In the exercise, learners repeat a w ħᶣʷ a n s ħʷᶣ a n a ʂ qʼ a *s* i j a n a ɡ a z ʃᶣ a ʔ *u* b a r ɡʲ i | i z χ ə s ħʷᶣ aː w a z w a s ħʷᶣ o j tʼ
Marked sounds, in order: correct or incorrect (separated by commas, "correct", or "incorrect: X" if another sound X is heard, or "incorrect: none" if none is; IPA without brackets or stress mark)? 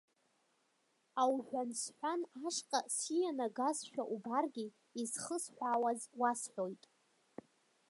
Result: correct, correct